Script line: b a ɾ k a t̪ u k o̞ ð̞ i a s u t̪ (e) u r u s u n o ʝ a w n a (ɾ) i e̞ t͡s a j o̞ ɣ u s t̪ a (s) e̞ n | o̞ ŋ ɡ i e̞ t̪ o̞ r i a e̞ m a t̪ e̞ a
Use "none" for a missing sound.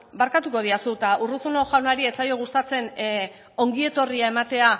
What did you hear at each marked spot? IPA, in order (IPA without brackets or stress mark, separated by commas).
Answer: a, ɾ, t͡s